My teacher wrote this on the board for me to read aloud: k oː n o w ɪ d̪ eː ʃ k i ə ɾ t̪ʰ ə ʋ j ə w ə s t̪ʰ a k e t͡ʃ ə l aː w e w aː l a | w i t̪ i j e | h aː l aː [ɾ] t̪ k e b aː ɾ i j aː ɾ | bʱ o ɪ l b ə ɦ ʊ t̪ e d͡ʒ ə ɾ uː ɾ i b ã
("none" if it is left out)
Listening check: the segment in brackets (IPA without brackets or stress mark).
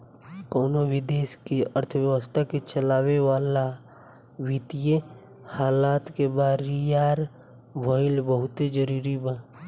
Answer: none